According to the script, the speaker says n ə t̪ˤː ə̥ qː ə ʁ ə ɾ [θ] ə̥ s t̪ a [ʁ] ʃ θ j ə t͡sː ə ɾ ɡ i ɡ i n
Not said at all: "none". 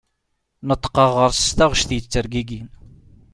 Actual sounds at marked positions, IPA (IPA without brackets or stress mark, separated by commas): s, ʁ